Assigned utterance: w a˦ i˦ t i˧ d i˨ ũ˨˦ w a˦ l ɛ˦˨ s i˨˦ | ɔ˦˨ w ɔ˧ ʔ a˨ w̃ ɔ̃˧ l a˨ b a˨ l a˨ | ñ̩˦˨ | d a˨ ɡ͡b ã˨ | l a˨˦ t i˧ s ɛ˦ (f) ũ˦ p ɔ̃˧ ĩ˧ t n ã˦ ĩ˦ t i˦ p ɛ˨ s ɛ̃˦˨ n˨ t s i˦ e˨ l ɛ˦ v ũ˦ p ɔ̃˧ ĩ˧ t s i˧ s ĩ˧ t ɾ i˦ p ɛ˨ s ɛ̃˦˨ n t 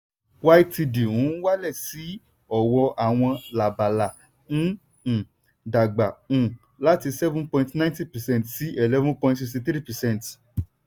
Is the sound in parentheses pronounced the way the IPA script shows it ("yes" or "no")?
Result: no